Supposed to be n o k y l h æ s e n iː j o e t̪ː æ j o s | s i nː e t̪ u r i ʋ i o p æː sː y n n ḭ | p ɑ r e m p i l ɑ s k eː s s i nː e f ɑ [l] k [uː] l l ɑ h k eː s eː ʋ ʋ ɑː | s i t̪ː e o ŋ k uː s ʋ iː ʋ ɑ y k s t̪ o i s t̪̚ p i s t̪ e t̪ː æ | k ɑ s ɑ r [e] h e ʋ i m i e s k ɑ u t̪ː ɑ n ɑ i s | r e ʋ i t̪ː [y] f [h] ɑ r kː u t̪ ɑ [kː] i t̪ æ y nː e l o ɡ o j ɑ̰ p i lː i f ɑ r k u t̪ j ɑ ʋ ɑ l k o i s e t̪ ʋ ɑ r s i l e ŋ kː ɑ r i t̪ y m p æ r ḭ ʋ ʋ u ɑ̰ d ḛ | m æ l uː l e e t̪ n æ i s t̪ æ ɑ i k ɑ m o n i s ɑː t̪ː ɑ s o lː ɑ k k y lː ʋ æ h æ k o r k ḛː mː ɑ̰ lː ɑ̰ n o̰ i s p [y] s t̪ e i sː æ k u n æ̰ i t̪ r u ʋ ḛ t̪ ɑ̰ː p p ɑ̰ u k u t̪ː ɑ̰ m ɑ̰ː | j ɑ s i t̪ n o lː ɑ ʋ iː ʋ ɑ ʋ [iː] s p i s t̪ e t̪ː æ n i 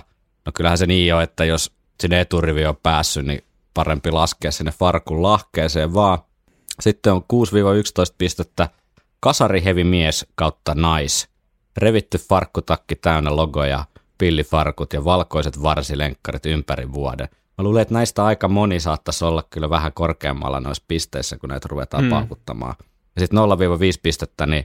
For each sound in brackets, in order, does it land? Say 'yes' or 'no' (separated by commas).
no, no, no, yes, no, yes, no, yes